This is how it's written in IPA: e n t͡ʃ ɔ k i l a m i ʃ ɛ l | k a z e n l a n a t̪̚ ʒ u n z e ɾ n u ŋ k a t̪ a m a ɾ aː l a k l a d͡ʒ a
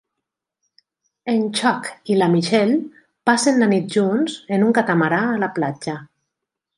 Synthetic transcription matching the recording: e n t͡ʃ ɔ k i l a m i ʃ ɛ l | p a s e n l a n i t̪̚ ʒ u n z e n u ŋ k a t̪ a m a ɾ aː l a p l a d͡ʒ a